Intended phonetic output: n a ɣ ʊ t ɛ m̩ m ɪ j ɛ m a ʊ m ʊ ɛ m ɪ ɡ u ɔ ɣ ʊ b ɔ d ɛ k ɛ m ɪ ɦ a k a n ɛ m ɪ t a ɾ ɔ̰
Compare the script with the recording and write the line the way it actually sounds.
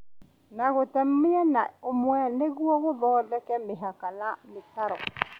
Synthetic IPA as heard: n a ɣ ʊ t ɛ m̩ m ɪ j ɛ n a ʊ m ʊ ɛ n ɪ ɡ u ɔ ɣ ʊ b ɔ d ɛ k ɛ m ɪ ɦ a k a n a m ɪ t a ɾ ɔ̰